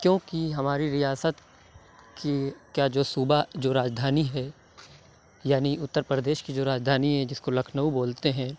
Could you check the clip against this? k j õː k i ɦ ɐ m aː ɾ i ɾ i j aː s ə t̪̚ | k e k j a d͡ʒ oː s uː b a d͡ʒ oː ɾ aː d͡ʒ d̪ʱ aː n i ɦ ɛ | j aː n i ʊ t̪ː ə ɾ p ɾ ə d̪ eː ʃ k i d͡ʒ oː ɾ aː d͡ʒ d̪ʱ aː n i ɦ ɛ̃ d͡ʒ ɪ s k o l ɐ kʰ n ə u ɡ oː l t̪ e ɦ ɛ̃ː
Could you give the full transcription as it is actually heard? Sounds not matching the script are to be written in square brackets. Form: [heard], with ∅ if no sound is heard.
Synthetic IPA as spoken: k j õː k i ɦ ɐ m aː ɾ i ɾ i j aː s ə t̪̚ | k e k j a d͡ʒ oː s uː b a d͡ʒ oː ɾ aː d͡ʒ d̪ʱ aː n i ɦ ɛ | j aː n i ʊ t̪ː ə ɾ p ɾ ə d̪ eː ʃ k i d͡ʒ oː ɾ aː d͡ʒ d̪ʱ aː n i ɦ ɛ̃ d͡ʒ ɪ s k o l ɐ kʰ n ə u [b] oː l t̪ e ɦ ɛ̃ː